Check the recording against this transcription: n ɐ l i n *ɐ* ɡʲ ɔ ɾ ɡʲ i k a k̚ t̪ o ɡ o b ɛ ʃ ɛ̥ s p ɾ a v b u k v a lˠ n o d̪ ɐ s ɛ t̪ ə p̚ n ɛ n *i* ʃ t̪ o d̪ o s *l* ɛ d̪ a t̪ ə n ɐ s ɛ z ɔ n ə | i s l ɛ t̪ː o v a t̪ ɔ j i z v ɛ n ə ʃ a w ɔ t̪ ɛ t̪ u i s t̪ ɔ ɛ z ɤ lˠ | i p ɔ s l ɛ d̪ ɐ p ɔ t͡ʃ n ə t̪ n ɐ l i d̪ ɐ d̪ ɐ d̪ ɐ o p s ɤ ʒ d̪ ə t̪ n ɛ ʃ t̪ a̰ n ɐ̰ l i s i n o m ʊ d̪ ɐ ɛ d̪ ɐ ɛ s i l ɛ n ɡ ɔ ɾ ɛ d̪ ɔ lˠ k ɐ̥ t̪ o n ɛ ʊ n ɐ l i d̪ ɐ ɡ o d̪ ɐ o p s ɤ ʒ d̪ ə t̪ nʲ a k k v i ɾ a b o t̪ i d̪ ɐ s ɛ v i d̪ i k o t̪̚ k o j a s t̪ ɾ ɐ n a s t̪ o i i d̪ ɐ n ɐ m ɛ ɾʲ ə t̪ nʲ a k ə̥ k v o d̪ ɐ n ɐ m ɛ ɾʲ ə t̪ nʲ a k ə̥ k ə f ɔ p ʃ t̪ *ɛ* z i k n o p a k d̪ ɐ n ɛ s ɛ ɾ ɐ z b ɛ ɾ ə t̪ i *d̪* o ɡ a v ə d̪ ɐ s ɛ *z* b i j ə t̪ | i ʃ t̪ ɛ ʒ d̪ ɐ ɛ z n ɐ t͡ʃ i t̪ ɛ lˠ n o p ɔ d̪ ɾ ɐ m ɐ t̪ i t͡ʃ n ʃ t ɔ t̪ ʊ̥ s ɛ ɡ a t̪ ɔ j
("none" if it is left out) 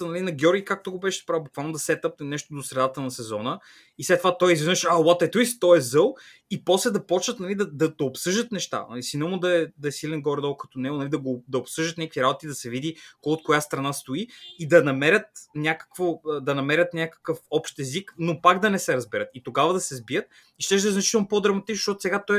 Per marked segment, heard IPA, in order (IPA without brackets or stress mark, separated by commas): ɐ, ɛ, ɾ, ɛ, t̪, z